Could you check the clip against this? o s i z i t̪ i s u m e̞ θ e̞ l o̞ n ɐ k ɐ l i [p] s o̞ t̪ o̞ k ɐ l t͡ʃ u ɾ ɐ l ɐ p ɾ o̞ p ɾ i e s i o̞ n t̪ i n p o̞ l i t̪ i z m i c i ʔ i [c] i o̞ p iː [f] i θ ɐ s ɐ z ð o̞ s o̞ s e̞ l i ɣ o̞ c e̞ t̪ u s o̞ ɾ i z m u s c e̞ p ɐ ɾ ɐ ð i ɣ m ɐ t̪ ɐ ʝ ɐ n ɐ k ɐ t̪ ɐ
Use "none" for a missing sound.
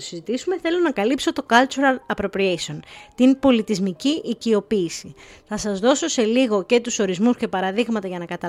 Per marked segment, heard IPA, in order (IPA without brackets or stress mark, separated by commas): p, c, s